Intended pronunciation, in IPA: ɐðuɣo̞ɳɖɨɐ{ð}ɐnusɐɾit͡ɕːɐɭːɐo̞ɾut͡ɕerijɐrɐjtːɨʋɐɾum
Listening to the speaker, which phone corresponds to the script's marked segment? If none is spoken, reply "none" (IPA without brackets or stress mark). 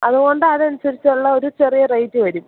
ð